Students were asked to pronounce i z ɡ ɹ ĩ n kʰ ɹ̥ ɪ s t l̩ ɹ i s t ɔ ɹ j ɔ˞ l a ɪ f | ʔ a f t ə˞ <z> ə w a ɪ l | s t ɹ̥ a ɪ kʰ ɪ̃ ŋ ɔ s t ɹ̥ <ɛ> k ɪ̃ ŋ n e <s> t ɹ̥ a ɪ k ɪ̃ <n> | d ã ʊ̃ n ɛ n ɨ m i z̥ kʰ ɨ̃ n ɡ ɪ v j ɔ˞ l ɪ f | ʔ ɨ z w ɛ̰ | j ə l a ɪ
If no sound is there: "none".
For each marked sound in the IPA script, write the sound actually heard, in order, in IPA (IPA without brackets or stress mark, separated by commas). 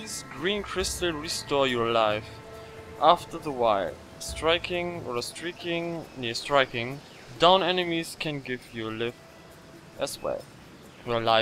ð, i, s, ŋ